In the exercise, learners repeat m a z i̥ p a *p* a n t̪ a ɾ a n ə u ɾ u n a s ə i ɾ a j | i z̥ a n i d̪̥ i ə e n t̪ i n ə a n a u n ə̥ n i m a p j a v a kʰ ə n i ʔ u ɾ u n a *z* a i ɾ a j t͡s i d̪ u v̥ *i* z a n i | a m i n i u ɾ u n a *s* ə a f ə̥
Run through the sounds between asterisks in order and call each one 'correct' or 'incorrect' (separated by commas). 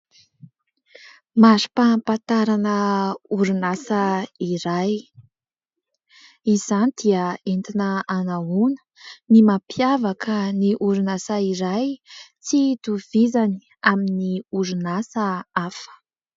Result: correct, incorrect, correct, correct